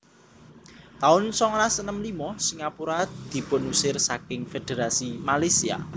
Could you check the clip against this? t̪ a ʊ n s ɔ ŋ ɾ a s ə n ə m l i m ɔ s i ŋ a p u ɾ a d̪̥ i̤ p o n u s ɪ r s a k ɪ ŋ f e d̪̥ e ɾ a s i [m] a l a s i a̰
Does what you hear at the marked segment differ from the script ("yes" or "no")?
no